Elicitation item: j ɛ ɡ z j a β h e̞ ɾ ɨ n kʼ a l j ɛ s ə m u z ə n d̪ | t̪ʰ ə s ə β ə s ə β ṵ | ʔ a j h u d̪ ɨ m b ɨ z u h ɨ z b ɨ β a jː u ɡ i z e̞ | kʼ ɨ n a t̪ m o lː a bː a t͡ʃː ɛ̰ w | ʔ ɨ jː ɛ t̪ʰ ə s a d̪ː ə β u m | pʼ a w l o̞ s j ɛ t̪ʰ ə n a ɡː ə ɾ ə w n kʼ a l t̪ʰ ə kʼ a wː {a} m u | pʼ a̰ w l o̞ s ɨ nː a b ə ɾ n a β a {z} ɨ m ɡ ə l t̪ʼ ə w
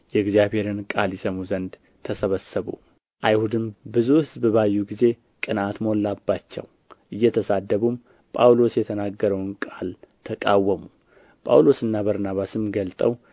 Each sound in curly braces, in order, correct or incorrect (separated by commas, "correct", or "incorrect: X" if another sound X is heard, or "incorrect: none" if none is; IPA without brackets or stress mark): incorrect: ə, incorrect: s